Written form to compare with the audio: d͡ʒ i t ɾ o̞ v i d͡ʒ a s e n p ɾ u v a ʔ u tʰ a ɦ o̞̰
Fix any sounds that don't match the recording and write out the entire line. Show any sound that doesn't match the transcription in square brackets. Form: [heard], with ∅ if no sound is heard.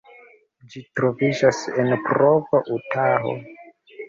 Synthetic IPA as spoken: d͡ʒ i t ɾ o̞ v i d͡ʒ a s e n p ɾ [o] v a ʔ u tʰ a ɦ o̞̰

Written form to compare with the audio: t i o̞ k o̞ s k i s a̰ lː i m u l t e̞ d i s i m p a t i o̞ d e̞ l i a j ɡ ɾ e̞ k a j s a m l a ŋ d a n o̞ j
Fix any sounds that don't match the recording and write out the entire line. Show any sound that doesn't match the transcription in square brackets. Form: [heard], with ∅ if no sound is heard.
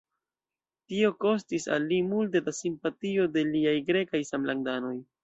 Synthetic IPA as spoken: t i o̞ k o̞ s [t] i s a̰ lː i m u l t e̞ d [a] s i m p a t i o̞ d e̞ l i a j ɡ ɾ e̞ k a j s a m l a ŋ d a n o̞ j

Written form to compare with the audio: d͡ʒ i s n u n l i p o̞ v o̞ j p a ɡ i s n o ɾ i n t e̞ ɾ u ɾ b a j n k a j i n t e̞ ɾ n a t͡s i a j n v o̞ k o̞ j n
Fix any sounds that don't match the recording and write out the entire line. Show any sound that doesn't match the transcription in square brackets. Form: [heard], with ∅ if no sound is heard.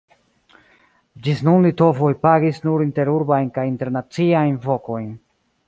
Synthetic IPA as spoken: d͡ʒ i s n u n l i [t] o̞ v o̞ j p a ɡ i s n [u] ɾ i n t e̞ ɾ u ɾ b a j n k a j i n t e̞ ɾ n a t͡s i a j n v o̞ k o̞ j n

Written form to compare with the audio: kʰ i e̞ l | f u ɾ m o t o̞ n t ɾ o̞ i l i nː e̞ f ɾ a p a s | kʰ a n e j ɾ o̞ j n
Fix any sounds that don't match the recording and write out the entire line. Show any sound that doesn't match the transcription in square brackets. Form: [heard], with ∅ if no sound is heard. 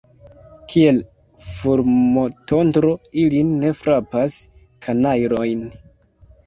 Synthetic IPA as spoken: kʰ i e̞ l | f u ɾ m o t o̞ n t ɾ o̞ i l i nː e̞ f ɾ a p a s | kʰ a n [a] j ɾ o̞ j n

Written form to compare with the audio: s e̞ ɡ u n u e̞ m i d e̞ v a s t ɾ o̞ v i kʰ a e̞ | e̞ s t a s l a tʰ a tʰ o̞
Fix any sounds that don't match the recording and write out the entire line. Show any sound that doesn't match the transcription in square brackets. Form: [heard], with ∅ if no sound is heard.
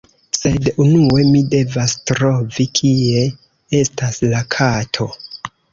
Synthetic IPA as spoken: s e̞ [d] u n u e̞ m i d e̞ v a s t ɾ o̞ v i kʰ [i] e̞ | e̞ s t a s l a [kʰ] a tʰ o̞

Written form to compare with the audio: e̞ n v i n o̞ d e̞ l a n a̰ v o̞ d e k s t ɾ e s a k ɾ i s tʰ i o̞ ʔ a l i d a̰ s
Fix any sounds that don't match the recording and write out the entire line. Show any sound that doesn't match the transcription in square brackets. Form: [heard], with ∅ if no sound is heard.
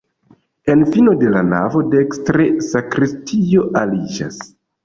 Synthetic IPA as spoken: e̞ n [f] i n o̞ d e̞ l a n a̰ v o̞ d e k s t ɾ e s a k ɾ i s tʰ i o̞ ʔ a l i [d͡ʒ] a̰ s

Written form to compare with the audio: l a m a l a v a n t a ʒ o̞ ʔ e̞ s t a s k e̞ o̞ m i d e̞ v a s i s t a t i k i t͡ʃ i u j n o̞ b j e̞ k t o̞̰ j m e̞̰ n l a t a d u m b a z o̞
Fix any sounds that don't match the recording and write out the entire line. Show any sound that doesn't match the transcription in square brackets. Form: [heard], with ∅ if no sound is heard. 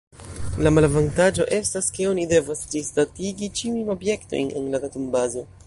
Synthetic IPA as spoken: l a m a l a v a n t a [d͡ʒ] o̞ ʔ e̞ s t a s k e̞ o̞ [n] i d e̞ v a s i s t a t i [ɡ] i t͡ʃ i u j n o̞ b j e̞ k t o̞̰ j [n] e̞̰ n l a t a [t] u m b a z o̞

